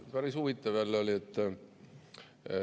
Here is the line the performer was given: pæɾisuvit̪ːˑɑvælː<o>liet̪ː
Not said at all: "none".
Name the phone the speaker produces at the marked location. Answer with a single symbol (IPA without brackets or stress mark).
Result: o